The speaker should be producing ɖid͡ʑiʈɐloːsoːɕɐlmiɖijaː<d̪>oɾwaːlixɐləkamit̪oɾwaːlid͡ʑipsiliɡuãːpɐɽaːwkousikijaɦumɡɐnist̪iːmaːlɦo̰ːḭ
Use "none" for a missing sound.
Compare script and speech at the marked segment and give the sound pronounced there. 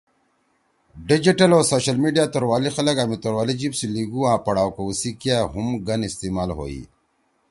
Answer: t̪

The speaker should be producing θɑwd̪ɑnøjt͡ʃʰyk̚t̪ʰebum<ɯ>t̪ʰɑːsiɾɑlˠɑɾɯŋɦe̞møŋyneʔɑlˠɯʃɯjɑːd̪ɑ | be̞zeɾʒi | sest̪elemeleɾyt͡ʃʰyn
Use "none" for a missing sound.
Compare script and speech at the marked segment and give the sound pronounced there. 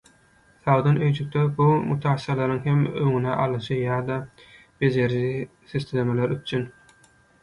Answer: u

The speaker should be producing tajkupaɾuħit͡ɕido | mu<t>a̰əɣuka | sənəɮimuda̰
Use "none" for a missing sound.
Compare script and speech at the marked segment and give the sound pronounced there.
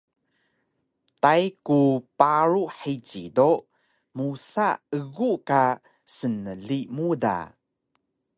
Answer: s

